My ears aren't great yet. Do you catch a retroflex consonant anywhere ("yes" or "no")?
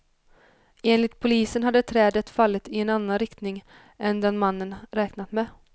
no